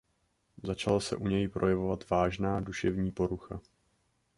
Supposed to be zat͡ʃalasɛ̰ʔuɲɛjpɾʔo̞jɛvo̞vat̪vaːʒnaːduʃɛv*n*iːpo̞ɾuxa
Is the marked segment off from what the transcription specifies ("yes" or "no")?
yes